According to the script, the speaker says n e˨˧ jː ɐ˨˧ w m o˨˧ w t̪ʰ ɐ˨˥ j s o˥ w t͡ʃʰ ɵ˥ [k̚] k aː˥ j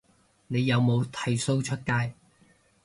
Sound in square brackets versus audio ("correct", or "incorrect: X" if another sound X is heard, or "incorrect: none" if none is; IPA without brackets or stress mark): incorrect: t̚